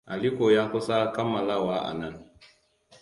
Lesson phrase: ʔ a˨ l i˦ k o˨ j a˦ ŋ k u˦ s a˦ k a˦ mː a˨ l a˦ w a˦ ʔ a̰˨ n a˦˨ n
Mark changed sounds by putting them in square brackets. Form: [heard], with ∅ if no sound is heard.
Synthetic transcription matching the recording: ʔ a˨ l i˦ k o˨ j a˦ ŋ k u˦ s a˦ k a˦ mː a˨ l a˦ w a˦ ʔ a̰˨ n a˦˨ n